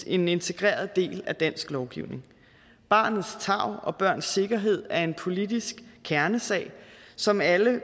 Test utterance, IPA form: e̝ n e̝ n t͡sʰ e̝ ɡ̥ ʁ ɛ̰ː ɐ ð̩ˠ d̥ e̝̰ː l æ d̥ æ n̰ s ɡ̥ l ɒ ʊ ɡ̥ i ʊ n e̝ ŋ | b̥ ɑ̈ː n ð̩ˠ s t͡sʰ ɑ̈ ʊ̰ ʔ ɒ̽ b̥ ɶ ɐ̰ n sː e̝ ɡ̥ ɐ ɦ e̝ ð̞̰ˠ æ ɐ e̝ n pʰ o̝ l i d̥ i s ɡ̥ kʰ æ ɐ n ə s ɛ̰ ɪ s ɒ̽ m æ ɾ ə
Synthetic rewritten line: e̝ n e̝ n t͡sʰ e̝ ɡ̥ ʁ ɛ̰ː ɐ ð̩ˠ d̥ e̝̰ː l æ d̥ æ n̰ s ɡ̥ l ɒ ʊ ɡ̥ i ʊ n e̝ ŋ | b̥ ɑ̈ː n ð̩ˠ s t͡sʰ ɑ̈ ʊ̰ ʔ ɒ̽ b̥ ɶ ɐ̰ n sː e̝ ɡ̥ ɐ ɦ e̝ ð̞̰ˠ æ ɐ e̝ n pʰ o̝ l i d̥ i s ɡ̥ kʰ æ ɐ n ə s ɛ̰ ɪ s ɒ̽ m æ l ə